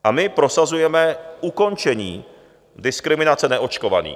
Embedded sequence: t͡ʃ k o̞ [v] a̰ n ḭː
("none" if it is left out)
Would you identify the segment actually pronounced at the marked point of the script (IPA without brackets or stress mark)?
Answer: v